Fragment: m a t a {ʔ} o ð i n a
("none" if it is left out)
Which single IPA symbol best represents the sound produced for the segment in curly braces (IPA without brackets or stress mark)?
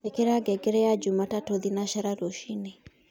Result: t